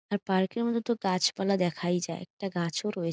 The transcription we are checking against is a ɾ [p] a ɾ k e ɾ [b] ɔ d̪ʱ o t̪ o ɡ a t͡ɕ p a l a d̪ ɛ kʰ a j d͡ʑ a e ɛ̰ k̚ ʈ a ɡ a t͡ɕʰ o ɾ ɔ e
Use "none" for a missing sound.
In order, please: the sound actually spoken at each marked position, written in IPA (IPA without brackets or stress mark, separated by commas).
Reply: p, m